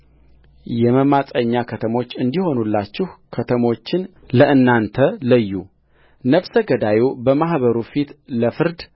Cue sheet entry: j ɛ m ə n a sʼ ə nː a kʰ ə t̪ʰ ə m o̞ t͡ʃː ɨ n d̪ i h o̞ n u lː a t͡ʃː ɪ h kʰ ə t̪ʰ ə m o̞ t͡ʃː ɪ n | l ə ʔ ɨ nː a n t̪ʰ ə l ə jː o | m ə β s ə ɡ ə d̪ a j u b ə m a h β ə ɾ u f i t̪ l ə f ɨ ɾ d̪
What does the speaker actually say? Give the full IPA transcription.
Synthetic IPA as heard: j ɛ m ə m a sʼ ə ɲː a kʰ ə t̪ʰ ə m o̞ t͡ʃː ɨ n d̪ i h o̞ n u lː a t͡ʃː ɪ h kʰ ə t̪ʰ ə m o̞ t͡ʃː ɪ n | l ə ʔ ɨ nː a n t̪ʰ ə l ə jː u | n ə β s ə ɡ ə d̪ a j u b ə m a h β ə ɾ u f i t̪ l ə f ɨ ɾ d̪